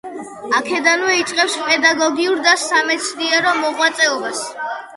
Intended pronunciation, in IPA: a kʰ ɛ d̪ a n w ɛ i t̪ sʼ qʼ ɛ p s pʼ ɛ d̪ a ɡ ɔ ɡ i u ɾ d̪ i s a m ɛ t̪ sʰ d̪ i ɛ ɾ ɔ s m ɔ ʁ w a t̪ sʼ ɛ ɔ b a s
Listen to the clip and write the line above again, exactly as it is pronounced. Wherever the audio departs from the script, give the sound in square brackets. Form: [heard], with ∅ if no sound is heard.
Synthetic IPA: a kʰ ɛ d̪ a n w ɛ i t̪ sʼ qʼ ɛ p s pʼ ɛ d̪ a ɡ ɔ ɡ i u ɾ d̪ [a] s a m ɛ t̪ sʰ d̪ i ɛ ɾ ɔ [∅] m ɔ ʁ w a t̪ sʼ ɛ ɔ b a s